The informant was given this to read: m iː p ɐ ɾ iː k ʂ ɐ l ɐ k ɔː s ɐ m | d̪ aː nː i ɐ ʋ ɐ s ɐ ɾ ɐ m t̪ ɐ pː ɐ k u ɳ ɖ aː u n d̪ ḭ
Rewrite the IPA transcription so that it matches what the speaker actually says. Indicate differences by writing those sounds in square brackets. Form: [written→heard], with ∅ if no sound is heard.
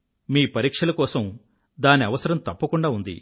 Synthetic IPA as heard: m iː p ɐ ɾ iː k ʂ ɐ l ɐ k ɔː s ɐ m | d̪ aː [nː→n] i ɐ ʋ ɐ s ɐ ɾ ɐ m t̪ ɐ pː ɐ k u ɳ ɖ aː u n d̪ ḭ